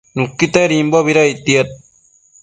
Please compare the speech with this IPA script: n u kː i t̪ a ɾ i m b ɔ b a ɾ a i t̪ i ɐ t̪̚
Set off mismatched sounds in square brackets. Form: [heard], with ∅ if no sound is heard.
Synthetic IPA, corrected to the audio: n u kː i t̪ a ɾ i m b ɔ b [i] ɾ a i t̪ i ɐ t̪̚